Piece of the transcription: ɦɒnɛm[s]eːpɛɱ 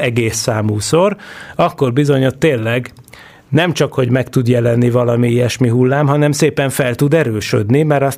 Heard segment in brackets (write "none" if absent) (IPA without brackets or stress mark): s